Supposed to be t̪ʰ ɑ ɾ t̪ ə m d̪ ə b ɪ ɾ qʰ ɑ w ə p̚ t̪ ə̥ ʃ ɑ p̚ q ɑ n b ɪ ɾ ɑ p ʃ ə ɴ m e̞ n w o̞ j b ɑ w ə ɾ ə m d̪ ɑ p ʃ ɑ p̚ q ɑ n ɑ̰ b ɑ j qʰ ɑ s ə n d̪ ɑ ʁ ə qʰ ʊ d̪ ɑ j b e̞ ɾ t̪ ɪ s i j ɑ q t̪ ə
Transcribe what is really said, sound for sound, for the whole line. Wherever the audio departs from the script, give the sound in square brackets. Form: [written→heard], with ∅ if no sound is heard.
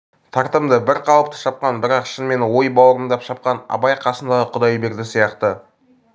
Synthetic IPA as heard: t̪ʰ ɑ ɾ t̪ ə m d̪ ə b ɪ ɾ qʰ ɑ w ə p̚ t̪ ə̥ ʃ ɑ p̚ q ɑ n b ɪ ɾ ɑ [p→q] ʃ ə [ɴ→n] m e̞ n w o̞ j b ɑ w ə ɾ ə m d̪ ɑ p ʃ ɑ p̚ q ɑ n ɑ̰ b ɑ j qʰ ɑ s ə n d̪ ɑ ʁ ə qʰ ʊ d̪ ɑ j b e̞ ɾ [t̪→d̪] ɪ s i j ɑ q t̪ ə